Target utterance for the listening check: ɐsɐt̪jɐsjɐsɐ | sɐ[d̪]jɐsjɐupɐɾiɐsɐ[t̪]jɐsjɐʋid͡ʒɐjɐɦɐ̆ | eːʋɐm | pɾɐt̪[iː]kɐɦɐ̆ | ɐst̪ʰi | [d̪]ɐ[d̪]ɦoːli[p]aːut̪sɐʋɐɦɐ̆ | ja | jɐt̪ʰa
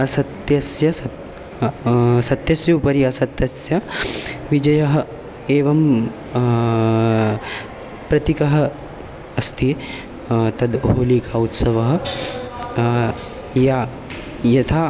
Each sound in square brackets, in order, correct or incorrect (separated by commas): incorrect, correct, incorrect, incorrect, correct, incorrect